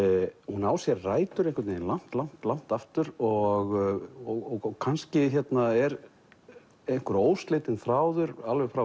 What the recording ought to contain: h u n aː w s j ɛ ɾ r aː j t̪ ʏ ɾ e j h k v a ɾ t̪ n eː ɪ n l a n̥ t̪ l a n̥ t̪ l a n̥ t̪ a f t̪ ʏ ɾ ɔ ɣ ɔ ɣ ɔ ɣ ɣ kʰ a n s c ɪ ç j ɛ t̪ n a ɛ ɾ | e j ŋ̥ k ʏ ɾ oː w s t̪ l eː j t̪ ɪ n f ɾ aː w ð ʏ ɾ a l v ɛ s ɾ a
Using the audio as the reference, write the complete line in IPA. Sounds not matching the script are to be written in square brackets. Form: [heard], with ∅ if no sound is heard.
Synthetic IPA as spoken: h u n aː w s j ɛ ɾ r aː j t̪ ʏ ɾ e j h k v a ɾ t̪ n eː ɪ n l a n̥ t̪ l a n̥ t̪ l a n̥ t̪ a f t̪ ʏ ɾ ɔ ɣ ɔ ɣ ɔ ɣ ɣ kʰ a n s c ɪ ç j ɛ t̪ n a ɛ ɾ | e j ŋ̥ k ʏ ɾ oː w s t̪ l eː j t̪ ɪ n [θ] ɾ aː w ð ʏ ɾ a l v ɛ [f] ɾ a